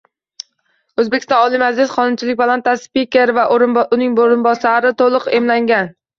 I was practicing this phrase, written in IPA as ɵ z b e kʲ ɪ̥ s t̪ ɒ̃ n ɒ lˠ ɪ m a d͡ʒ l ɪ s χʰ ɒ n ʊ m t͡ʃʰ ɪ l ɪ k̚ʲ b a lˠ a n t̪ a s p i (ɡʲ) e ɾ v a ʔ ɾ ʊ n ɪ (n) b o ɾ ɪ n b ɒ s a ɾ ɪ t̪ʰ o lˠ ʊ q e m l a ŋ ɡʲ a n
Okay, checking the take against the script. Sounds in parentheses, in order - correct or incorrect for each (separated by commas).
incorrect, incorrect